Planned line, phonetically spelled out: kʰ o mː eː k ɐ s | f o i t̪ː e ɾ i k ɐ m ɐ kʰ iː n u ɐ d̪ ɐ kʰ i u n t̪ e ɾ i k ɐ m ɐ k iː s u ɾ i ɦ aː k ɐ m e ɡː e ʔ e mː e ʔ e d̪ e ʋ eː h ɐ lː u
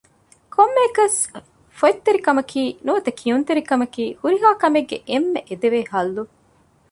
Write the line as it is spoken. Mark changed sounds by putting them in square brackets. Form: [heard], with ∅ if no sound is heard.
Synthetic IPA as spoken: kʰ o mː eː k ɐ s | f o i t̪ː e ɾ i k ɐ m ɐ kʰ iː n u ɐ [t̪] ɐ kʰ i u n t̪ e ɾ i k ɐ m ɐ k iː [h] u ɾ i ɦ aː k ɐ m e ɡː e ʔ e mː e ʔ e d̪ e ʋ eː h ɐ lː u